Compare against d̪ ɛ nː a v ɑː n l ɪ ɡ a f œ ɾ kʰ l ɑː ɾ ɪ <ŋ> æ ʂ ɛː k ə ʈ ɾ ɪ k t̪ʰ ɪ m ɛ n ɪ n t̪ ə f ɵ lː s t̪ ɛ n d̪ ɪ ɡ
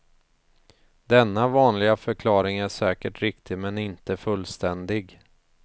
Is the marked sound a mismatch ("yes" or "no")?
no